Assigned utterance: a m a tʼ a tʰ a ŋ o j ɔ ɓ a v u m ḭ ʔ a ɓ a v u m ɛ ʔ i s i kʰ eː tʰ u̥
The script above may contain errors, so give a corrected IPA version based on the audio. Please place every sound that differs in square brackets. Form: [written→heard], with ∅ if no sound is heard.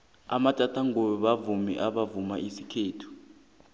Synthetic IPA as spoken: a m a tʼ a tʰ a ŋ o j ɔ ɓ a v u m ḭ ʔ a ɓ a v u m [ɛ→a] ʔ i s i kʰ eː tʰ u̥

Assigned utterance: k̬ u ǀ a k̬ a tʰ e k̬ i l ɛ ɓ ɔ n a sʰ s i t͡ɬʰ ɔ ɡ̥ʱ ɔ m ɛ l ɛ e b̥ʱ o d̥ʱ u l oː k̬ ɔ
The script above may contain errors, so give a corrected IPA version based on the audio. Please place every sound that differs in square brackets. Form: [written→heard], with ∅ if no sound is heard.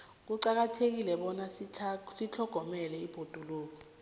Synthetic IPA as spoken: k̬ u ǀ a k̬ a tʰ e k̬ i l ɛ ɓ ɔ n a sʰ s i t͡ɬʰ ɔ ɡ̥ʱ ɔ m ɛ l ɛ [e→i] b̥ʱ o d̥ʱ u l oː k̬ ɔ

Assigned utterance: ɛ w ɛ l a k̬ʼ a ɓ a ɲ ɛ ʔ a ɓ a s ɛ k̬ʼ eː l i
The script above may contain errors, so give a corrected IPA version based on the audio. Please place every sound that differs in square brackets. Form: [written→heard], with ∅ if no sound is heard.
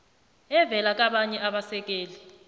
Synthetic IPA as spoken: ɛ [w→v] ɛ l a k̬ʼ a ɓ a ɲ ɛ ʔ a ɓ a s ɛ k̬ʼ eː l i

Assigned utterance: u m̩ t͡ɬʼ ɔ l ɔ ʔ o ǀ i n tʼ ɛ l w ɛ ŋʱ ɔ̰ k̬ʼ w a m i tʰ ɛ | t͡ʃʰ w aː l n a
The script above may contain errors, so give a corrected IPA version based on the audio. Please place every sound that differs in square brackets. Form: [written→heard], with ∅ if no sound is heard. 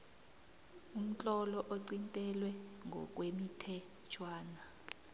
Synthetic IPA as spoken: u m̩ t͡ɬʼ ɔ l ɔ ʔ o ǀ i n tʼ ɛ l w ɛ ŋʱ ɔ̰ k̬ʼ w [a→e] m i tʰ ɛ | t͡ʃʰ w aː [l→∅] n a

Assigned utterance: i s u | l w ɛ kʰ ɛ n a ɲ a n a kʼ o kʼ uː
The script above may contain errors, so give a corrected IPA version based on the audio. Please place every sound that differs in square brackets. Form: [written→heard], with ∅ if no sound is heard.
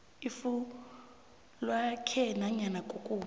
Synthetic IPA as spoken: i [s→f] u | l w [ɛ→a] kʰ ɛ n a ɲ a n a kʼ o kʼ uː

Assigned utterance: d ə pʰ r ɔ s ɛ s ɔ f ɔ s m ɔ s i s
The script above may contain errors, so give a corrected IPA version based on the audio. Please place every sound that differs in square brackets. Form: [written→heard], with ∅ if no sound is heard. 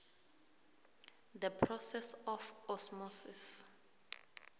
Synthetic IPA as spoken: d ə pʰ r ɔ s ɛ s ɔ f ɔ s m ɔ s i s

